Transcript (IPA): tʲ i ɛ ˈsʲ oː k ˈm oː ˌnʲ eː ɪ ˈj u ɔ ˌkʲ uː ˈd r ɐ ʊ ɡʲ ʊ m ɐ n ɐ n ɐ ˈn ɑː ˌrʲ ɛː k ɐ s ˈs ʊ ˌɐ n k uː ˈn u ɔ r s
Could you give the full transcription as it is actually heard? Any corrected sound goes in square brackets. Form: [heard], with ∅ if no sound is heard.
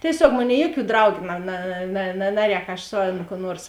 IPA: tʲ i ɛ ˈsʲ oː k ˈm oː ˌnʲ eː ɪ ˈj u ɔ ˌkʲ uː ˈd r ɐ ʊ ɡʲ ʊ [n] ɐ n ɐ n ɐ ˈn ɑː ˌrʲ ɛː k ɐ [ʃ] ˈs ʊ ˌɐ n k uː ˈn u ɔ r s